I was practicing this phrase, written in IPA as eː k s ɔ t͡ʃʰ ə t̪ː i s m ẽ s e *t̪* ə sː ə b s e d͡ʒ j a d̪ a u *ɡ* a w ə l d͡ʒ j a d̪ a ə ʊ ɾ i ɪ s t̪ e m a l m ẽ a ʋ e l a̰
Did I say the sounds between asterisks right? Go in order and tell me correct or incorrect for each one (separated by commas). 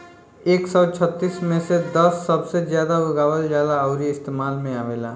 incorrect, correct